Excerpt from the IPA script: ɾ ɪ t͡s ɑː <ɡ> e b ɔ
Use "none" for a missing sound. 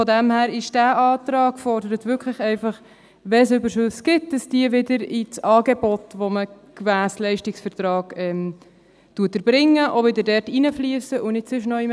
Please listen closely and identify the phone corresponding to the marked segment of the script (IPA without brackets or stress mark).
ɡ